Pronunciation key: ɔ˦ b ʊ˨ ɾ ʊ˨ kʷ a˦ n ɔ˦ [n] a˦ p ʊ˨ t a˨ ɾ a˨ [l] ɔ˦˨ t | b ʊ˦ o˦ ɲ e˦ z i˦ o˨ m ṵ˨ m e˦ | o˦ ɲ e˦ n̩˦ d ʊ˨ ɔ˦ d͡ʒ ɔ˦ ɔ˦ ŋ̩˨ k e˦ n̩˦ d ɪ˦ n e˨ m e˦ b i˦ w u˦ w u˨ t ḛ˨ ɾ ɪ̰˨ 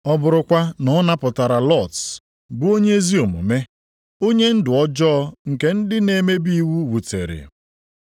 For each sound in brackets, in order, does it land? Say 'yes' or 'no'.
yes, yes

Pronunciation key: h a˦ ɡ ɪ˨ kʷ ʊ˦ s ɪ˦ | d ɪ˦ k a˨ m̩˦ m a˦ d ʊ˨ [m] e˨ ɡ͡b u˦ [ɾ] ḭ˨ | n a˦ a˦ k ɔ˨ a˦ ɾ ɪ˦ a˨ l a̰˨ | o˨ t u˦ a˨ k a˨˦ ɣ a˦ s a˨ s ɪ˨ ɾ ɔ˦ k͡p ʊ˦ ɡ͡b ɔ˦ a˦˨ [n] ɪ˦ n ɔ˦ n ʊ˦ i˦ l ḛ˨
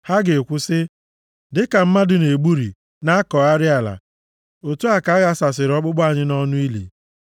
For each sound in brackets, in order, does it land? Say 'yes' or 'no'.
no, yes, no

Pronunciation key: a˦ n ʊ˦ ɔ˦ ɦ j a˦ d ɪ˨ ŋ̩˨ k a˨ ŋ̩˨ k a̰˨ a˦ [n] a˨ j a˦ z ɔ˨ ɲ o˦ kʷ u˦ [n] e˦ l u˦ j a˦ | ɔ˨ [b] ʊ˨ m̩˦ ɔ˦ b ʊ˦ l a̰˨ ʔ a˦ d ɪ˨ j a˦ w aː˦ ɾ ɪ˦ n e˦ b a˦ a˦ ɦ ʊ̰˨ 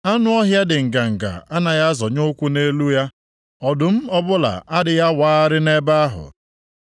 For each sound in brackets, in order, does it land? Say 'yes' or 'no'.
yes, yes, no

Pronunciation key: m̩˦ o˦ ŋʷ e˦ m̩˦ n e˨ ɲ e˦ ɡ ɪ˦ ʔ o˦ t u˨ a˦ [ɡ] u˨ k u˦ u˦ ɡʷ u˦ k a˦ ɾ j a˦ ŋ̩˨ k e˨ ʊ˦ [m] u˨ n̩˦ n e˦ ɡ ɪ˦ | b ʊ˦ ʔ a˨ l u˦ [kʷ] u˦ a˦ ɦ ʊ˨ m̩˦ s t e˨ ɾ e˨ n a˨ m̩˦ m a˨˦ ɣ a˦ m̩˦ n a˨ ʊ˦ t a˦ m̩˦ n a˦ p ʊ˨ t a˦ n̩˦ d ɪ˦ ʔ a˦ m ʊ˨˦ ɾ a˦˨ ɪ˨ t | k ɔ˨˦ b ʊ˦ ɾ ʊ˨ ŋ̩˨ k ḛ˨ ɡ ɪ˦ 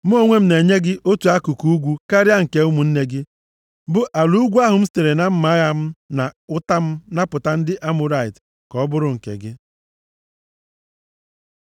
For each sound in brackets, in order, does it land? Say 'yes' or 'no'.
no, yes, no

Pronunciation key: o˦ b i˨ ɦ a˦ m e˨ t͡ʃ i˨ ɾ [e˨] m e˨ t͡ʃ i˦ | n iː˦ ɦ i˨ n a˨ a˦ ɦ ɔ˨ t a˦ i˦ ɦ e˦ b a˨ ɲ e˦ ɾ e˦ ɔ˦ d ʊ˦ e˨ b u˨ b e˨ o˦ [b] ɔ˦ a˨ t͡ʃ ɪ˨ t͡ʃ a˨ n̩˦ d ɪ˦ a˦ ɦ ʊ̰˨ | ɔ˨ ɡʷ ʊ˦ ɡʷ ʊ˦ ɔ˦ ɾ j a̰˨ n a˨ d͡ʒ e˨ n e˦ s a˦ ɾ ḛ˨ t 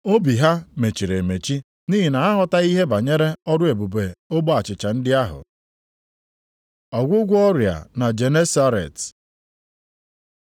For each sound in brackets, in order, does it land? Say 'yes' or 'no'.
yes, yes

